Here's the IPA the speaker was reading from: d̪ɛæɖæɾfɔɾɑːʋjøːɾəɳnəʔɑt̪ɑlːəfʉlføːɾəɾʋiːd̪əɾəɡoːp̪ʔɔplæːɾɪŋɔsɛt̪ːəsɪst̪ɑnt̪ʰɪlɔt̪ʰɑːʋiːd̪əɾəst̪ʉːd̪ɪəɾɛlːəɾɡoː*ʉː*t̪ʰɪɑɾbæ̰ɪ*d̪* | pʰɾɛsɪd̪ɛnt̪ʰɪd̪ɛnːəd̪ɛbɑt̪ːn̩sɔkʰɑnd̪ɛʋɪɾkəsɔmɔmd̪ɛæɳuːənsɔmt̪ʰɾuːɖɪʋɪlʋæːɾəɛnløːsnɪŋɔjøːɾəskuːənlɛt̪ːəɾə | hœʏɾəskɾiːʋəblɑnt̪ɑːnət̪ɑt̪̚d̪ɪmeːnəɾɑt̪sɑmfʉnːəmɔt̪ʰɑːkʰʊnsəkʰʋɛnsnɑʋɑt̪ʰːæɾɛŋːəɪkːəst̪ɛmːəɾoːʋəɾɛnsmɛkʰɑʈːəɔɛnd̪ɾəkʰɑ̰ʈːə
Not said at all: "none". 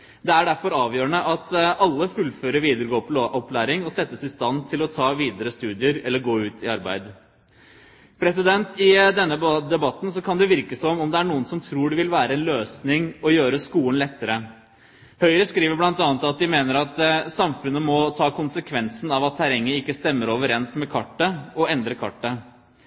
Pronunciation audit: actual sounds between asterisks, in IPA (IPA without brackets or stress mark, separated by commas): ʉː, d̪